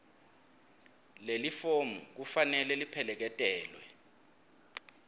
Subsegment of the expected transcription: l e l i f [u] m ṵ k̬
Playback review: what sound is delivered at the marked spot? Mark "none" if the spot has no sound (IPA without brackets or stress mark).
o